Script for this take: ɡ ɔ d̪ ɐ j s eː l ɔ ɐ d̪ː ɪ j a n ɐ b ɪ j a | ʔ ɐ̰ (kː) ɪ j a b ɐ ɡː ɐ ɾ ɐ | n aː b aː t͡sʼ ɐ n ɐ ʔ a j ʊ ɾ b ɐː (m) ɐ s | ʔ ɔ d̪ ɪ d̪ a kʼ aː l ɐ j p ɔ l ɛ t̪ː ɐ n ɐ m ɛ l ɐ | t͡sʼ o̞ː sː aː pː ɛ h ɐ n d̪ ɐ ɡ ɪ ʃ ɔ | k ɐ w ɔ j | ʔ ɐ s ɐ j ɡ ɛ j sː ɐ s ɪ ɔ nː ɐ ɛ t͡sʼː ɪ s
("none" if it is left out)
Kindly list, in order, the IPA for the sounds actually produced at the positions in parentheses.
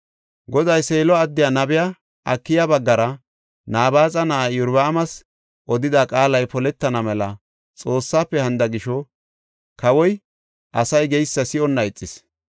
kː, m

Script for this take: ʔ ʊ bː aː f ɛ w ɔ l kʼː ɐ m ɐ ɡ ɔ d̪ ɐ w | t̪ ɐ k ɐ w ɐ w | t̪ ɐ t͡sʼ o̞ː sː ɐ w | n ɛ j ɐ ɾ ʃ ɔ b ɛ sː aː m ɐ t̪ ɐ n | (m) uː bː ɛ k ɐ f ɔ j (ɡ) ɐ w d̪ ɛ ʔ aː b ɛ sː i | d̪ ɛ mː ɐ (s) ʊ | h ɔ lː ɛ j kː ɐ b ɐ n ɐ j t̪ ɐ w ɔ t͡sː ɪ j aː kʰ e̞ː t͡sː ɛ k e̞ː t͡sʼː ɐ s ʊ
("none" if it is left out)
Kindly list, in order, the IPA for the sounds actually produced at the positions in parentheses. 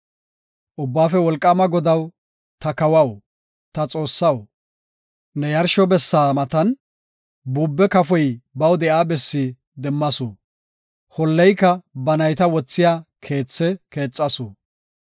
b, b, s

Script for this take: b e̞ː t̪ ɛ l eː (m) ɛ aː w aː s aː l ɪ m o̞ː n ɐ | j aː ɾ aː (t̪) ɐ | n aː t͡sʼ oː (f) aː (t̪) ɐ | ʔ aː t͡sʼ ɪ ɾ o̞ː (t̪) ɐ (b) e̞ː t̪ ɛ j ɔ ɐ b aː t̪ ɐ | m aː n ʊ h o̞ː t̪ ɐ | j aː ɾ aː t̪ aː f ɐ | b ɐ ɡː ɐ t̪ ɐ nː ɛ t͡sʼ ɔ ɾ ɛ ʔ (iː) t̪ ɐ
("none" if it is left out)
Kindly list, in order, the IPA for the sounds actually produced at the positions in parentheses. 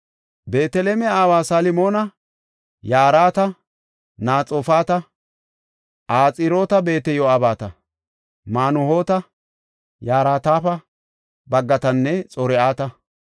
m, t̪, f, t̪, t̪, b, aː

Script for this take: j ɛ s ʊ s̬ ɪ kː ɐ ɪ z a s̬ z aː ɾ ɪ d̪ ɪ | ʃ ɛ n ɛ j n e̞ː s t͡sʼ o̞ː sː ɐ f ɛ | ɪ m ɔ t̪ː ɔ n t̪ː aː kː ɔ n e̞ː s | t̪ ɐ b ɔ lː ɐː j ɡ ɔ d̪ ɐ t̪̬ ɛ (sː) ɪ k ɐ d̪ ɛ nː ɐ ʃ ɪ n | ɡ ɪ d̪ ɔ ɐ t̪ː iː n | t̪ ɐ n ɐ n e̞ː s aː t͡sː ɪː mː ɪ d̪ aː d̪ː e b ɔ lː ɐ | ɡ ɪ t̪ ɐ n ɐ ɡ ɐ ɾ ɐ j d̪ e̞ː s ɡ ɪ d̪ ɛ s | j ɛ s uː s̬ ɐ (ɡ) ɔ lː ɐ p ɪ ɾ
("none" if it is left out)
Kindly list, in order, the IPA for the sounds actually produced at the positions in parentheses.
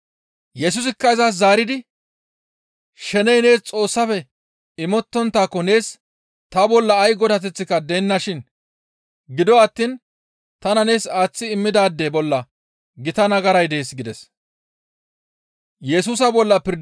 t͡sː, b

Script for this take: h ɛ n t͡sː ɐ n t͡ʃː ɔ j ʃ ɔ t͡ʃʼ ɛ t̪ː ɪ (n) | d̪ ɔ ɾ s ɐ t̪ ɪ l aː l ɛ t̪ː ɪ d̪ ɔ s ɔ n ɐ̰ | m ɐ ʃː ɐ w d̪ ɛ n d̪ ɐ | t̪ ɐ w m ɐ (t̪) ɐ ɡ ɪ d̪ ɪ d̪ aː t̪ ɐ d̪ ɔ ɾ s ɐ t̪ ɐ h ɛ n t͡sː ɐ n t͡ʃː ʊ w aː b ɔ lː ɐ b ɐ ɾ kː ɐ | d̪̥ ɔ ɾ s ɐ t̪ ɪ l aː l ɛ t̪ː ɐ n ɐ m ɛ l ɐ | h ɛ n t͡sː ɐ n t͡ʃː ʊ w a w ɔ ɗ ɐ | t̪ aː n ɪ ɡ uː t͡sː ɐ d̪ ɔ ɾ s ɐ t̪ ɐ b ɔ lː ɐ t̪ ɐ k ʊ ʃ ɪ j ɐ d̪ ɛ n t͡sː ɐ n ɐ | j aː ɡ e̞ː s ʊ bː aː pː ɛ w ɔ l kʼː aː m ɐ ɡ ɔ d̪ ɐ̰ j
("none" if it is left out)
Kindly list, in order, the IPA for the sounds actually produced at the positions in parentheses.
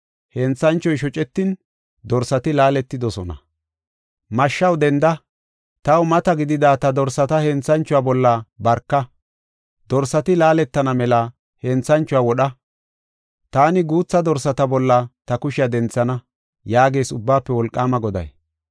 n, t̪

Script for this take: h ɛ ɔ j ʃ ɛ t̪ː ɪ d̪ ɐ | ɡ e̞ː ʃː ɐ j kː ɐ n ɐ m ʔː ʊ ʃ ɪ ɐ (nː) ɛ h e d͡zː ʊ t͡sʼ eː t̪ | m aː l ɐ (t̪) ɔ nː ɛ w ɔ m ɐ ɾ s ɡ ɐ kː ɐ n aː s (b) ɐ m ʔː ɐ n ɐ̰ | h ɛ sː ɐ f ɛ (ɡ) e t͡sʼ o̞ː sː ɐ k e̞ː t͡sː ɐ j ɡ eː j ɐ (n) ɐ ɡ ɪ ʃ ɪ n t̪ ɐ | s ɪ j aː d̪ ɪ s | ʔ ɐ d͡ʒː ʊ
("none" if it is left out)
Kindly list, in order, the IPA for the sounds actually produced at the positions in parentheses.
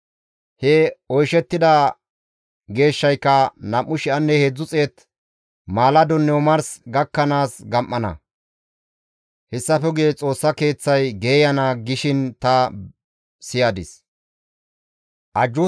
nː, d̪, ɡ, ɡ, n

